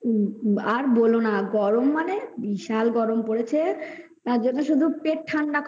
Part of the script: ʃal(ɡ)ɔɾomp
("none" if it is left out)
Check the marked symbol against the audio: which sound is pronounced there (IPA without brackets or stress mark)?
ɡ